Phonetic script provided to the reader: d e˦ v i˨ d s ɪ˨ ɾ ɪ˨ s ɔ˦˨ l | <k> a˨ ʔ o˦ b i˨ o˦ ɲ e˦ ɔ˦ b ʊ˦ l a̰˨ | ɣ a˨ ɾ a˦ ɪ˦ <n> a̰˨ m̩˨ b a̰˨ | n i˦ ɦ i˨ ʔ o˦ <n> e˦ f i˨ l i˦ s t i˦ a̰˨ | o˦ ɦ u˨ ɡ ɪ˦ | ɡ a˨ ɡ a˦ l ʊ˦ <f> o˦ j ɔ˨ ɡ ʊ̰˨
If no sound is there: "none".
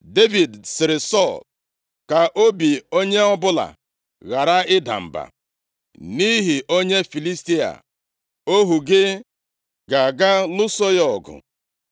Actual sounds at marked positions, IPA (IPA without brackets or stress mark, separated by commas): k, d, ɲ, s